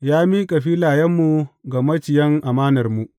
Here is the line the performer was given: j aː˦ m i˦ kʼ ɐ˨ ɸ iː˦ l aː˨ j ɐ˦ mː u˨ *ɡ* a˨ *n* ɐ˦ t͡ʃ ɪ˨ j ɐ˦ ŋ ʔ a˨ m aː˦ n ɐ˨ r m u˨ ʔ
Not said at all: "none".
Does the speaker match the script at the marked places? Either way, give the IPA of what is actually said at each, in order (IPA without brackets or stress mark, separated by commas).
ɡ, m